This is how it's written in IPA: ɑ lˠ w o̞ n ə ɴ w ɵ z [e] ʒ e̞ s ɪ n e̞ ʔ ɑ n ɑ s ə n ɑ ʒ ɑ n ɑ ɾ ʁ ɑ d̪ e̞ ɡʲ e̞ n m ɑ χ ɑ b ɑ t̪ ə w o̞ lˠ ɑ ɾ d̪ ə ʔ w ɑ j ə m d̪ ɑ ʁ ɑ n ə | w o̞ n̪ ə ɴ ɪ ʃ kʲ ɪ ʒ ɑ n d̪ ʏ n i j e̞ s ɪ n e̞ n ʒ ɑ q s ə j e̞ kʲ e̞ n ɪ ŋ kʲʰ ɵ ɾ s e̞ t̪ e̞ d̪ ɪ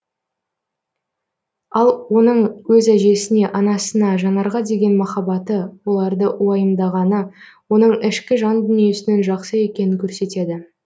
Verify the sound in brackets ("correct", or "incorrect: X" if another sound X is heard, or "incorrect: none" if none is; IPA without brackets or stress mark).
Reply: incorrect: æ